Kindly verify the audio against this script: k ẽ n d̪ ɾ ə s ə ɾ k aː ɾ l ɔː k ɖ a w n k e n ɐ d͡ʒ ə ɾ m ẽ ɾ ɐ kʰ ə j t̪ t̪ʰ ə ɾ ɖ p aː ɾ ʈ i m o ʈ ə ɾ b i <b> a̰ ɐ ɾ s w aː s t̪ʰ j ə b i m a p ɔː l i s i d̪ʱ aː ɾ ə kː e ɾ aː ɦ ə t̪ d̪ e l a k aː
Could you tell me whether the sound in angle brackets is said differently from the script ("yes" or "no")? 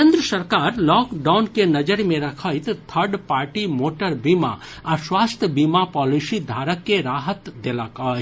yes